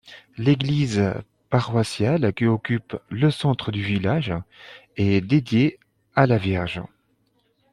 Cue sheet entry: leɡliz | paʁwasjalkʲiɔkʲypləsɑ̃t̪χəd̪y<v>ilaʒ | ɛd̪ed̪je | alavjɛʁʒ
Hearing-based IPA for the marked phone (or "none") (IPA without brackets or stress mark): v